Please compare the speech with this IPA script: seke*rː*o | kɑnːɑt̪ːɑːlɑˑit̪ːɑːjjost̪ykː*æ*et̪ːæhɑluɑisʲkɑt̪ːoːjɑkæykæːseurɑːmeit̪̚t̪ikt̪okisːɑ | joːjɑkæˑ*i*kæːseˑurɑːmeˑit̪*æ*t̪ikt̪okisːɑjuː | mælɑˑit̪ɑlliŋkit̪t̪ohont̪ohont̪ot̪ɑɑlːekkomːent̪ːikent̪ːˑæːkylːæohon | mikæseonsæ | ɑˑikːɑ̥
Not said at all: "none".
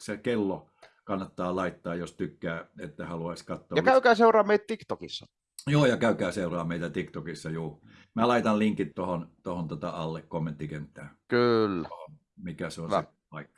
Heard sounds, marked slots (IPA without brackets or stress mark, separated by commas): lː, æː, y, æ